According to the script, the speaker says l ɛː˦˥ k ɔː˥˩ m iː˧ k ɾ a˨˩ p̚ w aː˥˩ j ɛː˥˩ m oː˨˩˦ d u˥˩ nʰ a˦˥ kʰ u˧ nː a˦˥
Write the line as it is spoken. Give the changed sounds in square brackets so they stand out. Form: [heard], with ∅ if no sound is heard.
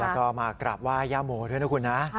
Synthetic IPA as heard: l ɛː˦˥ k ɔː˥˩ m [aː˧] k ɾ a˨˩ p̚ w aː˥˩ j [aː˥˩] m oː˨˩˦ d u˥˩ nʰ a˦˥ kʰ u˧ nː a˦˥